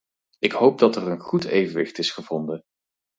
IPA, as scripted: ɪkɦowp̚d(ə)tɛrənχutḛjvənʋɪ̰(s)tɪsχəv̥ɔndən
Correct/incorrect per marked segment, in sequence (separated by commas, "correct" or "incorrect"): incorrect, incorrect